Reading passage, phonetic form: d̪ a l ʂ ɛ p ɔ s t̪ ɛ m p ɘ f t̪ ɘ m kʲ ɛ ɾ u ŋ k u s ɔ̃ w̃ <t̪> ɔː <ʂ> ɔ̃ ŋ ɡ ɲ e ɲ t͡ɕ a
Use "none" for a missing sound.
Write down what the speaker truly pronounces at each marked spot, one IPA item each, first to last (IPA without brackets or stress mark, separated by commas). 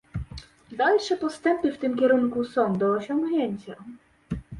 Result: d̪, ɕ